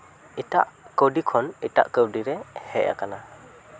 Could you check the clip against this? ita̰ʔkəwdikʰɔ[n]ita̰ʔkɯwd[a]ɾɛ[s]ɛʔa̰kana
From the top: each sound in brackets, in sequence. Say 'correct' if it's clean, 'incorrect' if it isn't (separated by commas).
correct, incorrect, incorrect